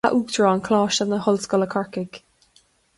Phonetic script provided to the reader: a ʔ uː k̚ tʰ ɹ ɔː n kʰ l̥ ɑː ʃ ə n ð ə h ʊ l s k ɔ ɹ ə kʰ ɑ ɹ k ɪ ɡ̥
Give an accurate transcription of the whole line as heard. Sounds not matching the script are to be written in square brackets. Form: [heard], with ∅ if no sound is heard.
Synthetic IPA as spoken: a ʔ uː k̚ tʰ ɹ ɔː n kʰ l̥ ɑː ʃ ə n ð ə h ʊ l s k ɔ [l] ə kʰ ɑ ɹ k ɪ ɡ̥